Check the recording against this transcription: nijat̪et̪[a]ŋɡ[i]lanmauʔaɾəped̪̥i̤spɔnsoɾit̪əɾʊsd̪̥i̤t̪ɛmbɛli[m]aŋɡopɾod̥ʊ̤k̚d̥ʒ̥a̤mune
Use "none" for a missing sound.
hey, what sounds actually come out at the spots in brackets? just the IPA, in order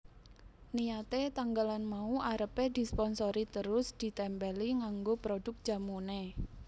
a, a, ŋ

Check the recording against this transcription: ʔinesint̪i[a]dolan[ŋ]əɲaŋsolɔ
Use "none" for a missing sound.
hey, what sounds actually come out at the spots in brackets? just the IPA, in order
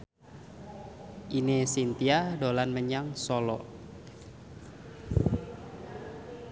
a, m

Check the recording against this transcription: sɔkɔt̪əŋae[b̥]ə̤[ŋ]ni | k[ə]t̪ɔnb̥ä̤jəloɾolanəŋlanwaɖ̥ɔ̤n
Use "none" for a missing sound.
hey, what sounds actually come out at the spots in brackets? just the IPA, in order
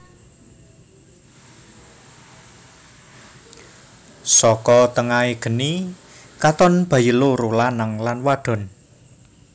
ɡ̥, none, a

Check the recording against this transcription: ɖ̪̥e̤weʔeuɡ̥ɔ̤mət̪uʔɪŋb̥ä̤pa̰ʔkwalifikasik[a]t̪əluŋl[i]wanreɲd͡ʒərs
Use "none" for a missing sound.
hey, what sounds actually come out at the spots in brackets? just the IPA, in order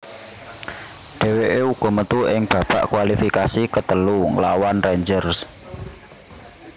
ə, a

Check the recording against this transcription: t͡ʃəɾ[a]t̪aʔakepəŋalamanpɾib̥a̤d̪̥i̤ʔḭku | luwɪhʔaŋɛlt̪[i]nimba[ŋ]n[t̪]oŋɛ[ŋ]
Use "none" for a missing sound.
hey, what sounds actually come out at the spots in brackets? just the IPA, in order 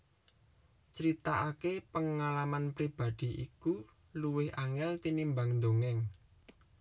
i, i, ŋ, d̪, ŋ

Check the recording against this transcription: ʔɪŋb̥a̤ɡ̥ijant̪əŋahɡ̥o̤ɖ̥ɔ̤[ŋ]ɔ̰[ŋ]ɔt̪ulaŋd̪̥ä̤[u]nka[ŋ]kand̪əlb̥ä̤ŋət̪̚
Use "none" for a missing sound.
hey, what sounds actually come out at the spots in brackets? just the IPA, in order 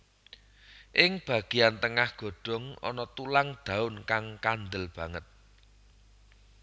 ŋ, n, ʊ, ŋ

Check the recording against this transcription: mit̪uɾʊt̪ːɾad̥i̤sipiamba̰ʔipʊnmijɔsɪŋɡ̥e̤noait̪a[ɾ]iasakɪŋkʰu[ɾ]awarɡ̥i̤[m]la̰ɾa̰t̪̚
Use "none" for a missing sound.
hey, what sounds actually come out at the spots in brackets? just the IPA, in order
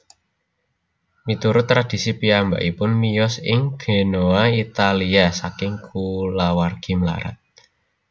l, l, m

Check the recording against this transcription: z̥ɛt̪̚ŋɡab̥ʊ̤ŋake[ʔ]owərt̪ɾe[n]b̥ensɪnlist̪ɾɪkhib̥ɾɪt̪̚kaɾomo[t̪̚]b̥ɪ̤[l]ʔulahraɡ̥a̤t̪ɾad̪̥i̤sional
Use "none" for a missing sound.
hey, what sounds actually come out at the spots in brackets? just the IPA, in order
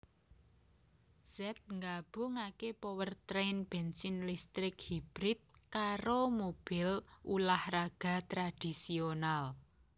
p, n, none, l

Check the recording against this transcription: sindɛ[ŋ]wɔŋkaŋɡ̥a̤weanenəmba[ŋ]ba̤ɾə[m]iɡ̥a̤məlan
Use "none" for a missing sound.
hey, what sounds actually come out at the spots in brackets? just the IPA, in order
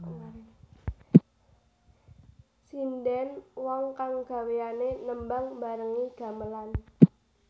n, ŋ, ŋ

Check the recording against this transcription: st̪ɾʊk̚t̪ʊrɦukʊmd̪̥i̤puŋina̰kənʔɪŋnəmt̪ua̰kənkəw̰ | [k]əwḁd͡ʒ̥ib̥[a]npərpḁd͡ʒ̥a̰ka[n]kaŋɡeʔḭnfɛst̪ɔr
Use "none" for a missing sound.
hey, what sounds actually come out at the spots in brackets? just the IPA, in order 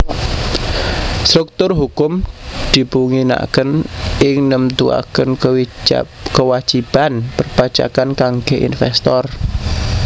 k, a, n

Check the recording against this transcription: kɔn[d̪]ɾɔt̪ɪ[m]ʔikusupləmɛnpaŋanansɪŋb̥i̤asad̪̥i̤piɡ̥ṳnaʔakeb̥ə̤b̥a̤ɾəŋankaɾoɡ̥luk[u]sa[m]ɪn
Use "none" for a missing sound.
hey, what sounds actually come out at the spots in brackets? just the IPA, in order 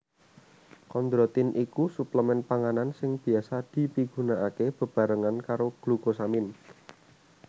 d̪, n, o, m

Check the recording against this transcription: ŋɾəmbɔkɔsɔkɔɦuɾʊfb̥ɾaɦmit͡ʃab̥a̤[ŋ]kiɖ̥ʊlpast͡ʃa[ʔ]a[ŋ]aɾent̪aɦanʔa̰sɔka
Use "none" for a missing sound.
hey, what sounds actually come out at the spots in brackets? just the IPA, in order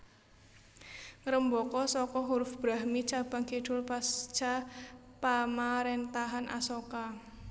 ŋ, p, m

